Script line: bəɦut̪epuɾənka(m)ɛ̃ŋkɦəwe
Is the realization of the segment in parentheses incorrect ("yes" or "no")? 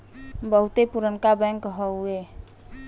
yes